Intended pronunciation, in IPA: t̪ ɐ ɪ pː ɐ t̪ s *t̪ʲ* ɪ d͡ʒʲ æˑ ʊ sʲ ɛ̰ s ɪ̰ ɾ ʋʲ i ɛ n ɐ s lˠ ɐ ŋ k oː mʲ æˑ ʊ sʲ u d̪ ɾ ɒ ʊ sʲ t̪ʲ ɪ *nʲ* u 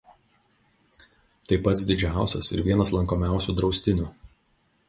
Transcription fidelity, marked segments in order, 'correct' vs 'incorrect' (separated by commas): incorrect, correct